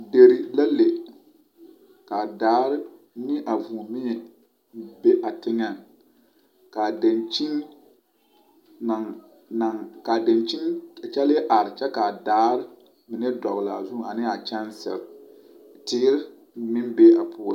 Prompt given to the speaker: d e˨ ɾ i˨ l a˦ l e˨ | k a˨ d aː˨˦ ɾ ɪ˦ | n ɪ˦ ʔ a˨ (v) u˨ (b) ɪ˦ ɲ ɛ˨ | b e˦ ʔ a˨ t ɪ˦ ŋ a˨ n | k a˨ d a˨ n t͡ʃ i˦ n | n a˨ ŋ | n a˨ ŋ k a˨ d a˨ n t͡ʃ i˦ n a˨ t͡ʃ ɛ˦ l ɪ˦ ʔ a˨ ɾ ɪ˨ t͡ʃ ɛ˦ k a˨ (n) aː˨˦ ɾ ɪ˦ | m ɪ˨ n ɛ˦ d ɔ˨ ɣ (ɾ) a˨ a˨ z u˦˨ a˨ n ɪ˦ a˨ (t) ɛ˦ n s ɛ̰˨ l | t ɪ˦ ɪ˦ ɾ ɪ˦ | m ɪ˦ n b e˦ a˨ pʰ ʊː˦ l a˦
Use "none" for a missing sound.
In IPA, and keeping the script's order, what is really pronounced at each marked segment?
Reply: v, m, d, l, t͡ʃ

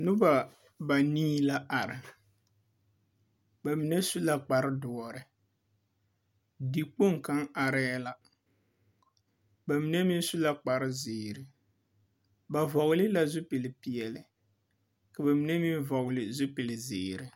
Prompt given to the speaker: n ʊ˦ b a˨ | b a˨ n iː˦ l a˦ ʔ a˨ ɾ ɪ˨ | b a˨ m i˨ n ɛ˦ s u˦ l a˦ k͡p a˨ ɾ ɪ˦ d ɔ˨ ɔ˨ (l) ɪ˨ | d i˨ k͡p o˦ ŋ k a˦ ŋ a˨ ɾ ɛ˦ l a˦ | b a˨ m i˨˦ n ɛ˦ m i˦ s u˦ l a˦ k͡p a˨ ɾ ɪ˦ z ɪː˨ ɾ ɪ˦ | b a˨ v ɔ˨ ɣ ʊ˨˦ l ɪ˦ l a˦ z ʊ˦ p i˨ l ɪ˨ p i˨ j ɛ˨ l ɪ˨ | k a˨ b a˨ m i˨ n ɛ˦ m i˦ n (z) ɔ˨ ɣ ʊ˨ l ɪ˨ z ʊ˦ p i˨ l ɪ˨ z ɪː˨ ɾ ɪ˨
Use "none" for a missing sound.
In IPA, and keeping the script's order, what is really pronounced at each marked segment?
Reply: ɾ, v

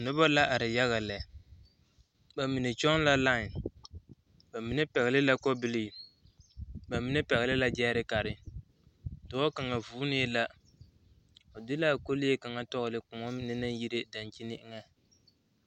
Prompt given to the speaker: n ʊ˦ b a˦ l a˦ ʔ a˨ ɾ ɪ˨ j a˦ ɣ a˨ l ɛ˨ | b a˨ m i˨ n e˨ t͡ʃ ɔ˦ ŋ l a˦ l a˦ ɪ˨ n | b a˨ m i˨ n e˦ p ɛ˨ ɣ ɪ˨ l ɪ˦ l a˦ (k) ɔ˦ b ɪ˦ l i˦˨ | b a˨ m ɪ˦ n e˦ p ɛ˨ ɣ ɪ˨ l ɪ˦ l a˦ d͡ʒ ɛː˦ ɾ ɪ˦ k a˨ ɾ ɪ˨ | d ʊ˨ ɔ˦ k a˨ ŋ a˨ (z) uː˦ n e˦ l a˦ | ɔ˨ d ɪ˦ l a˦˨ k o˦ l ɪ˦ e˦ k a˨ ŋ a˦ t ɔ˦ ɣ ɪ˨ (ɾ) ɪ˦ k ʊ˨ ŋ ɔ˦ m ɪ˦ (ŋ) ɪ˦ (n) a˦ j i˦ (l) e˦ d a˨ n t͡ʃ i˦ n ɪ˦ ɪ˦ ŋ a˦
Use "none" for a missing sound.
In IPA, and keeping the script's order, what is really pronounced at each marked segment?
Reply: k, v, l, n, n, ɾ

